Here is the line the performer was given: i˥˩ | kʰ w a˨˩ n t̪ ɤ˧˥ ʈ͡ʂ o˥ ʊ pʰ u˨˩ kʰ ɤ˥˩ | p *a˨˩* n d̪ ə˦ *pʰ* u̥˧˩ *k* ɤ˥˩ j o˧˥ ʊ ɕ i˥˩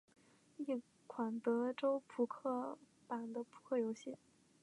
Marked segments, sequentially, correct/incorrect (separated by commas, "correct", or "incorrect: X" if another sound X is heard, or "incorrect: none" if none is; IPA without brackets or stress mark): correct, correct, incorrect: kʰ